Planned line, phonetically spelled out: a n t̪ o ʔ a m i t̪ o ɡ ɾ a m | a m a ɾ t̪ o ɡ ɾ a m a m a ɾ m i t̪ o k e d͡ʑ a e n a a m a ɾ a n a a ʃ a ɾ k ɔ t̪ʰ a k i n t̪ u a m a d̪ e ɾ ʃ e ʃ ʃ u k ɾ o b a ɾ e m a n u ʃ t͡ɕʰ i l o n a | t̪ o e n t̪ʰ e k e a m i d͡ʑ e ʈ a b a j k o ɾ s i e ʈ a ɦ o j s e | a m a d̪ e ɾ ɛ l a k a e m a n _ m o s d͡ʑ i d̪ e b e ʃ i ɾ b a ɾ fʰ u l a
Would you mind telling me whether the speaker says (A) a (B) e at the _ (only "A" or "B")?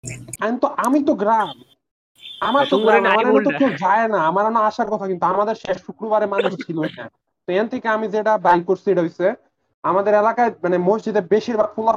B